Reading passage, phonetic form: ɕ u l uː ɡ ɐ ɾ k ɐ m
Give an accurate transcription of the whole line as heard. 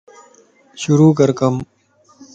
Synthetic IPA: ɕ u ɾ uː k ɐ ɾ k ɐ m

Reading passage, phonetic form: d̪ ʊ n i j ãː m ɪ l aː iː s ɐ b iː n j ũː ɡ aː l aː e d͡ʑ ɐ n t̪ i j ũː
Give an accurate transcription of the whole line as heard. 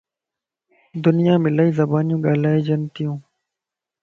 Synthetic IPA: d̪ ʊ n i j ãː m ɪ l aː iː z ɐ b aː n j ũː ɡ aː l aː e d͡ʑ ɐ n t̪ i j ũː

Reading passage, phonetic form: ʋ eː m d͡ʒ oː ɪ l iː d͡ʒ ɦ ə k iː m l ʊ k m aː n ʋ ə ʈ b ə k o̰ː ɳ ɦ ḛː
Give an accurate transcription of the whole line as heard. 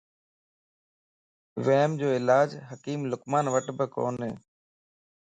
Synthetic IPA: ʋ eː m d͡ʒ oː ɪ l aː d͡ʒ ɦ ə k iː m l ʊ k m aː n ʋ ə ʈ b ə k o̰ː n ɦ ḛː

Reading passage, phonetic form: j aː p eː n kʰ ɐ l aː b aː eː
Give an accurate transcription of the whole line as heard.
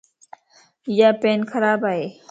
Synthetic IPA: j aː p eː n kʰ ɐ ɾ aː b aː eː

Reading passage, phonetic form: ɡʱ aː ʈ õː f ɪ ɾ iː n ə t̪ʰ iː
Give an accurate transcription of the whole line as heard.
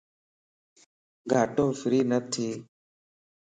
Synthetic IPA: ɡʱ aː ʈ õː f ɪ ɾ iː n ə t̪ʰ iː

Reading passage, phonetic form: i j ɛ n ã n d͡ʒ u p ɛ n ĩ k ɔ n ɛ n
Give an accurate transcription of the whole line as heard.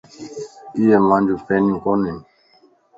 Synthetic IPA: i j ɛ m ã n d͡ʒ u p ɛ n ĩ k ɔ n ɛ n

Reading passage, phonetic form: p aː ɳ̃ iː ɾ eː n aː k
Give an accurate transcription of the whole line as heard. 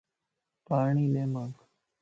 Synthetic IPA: p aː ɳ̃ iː l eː m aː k

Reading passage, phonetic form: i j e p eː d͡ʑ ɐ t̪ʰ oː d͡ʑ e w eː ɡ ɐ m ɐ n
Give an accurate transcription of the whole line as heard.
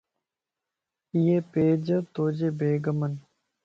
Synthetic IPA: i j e p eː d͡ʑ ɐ t̪ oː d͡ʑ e b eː ɡ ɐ m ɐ n

